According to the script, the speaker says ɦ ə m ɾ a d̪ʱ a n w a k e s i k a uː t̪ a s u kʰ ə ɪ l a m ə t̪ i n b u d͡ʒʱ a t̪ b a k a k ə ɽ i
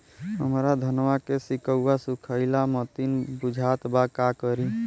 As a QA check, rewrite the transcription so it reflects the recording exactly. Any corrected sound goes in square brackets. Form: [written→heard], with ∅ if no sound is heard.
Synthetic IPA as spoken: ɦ ə m ɾ a d̪ʱ [a→ə] n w a k e s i k [a→ə] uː [t̪→∅] a s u kʰ ə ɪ l a m ə t̪ i n b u d͡ʒʱ a t̪ b a k a k ə [ɽ→ɾ] i